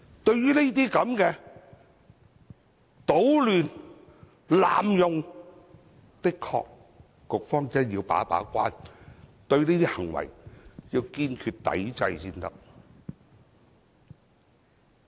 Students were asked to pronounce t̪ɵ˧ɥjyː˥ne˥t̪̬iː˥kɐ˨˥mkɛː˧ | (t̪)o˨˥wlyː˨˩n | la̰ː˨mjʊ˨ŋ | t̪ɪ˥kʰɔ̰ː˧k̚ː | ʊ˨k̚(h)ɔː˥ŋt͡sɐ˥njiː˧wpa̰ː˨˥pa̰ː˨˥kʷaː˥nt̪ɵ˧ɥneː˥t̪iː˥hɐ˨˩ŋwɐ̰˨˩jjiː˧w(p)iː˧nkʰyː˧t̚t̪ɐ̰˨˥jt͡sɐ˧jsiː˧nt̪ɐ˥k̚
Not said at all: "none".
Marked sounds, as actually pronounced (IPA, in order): t̪, f, k

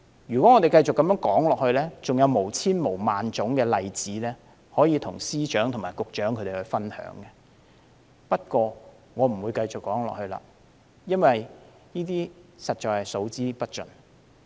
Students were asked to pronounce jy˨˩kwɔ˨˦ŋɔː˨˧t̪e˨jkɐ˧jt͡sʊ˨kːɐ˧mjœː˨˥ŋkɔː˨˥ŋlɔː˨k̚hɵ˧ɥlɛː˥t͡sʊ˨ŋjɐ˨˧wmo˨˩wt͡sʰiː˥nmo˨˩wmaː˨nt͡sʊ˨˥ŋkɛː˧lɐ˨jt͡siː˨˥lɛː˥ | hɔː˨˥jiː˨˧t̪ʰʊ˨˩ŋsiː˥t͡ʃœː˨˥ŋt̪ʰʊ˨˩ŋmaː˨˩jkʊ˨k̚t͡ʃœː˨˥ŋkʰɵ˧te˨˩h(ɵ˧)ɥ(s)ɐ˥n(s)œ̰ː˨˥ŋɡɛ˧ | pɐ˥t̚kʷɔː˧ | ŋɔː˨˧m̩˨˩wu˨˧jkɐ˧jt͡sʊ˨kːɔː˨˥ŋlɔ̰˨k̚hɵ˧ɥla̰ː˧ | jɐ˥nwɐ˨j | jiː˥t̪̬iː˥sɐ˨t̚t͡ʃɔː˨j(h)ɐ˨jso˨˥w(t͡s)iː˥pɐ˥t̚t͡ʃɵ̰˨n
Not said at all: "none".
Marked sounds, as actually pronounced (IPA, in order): ɵ˧, f, h, h, t͡s

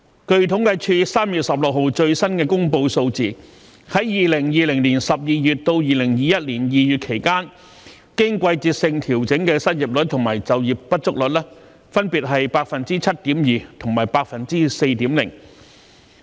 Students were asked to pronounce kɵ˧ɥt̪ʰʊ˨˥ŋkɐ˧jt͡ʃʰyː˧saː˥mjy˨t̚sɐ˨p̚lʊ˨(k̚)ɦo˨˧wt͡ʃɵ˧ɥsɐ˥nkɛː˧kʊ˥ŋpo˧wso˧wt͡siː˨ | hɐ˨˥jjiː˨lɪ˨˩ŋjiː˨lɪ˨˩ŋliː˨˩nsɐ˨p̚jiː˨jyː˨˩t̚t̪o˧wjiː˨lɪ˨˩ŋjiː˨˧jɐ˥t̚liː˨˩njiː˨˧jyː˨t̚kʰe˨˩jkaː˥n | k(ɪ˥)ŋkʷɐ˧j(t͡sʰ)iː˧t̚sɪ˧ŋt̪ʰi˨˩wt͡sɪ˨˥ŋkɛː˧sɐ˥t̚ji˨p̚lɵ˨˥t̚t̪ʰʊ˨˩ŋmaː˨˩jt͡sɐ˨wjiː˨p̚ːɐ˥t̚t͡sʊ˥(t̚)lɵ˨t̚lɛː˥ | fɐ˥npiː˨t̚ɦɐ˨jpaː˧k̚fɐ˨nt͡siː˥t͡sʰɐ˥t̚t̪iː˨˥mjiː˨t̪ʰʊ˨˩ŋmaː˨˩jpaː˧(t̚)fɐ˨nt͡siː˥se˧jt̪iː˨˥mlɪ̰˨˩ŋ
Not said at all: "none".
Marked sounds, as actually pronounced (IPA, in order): k̚, ɪ˥, t͡s, k̚, k̚

